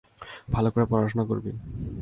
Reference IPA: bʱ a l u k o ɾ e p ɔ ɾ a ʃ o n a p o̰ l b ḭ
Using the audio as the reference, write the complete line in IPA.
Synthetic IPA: bʱ a l o k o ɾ e p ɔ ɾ a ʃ o n a k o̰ ɾ b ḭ